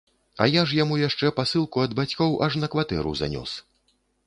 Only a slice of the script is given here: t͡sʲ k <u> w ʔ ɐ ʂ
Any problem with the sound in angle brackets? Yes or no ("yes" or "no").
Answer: yes